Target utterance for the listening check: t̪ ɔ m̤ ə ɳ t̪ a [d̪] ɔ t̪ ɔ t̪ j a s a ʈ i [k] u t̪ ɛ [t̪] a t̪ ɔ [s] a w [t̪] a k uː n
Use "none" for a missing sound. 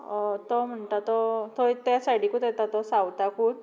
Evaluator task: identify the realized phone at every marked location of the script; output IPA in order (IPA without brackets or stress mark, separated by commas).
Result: t̪, k, t̪, s, t̪